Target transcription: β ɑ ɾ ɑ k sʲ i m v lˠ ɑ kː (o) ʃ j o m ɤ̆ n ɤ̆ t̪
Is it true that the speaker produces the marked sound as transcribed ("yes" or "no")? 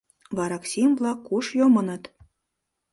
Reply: no